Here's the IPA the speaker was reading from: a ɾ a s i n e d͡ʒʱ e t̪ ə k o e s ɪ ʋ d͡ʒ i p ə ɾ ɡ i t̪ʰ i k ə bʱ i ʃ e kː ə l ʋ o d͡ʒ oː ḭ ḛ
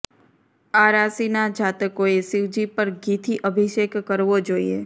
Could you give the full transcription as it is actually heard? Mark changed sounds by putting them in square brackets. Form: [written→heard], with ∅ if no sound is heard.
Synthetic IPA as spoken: a ɾ a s i n [e→a] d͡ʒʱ [e→a] t̪ ə k o e s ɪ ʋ d͡ʒ i p ə ɾ ɡ i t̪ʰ i [k→ʔ] ə bʱ i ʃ e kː ə [l→ɾ] ʋ o d͡ʒ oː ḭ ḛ